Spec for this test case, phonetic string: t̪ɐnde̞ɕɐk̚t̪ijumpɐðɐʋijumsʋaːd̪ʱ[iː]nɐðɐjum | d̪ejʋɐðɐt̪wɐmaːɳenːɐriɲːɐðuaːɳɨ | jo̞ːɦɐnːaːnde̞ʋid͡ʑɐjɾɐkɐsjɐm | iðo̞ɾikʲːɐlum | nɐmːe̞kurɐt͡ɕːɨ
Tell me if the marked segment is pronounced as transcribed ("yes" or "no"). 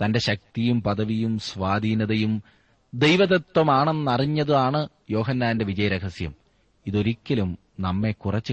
yes